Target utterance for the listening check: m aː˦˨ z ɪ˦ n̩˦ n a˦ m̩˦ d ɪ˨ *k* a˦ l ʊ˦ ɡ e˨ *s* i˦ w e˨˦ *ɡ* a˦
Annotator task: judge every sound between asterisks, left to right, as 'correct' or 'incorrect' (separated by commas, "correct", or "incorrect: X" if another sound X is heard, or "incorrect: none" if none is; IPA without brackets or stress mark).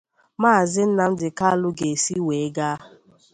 correct, correct, correct